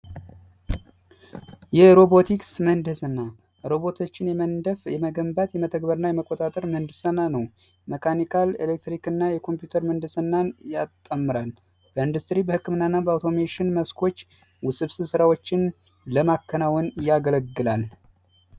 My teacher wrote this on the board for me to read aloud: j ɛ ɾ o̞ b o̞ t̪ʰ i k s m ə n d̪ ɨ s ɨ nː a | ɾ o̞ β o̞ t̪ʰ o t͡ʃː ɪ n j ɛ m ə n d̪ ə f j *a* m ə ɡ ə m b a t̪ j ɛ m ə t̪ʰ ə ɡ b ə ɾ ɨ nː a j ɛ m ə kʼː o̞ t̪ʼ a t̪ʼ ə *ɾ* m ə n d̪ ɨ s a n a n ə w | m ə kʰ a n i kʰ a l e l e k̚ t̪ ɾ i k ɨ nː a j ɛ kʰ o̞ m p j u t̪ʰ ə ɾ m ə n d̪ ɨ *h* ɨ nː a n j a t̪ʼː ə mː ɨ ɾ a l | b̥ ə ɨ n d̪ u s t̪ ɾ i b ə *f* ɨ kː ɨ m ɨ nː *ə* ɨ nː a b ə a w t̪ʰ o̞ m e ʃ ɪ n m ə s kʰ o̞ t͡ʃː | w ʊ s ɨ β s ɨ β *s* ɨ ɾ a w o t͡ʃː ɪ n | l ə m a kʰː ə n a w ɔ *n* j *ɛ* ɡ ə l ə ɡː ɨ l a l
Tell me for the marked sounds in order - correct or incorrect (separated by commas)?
incorrect, correct, incorrect, incorrect, incorrect, correct, correct, incorrect